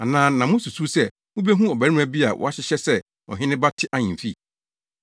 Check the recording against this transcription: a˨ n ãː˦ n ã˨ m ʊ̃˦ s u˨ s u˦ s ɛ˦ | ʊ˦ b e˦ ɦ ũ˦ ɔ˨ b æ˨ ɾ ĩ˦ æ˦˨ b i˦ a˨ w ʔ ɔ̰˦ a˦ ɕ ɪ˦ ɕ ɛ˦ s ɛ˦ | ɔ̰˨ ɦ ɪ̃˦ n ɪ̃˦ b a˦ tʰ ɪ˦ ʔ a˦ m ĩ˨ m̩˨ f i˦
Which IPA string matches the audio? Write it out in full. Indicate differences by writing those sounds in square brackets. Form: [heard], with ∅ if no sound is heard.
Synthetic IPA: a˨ n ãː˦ n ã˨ m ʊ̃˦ s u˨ s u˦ s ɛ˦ | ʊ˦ b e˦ ɦ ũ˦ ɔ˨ b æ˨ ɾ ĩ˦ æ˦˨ b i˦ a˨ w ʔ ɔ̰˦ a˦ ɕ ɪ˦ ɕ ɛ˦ s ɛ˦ | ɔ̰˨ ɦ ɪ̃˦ n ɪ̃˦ b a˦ tʰ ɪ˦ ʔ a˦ [ɲ] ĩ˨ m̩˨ f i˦